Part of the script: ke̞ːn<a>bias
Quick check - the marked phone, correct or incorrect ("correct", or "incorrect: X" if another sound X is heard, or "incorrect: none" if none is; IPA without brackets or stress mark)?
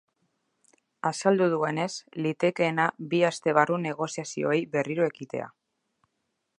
correct